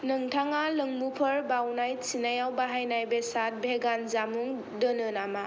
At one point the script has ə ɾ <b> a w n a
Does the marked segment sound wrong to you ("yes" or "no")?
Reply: no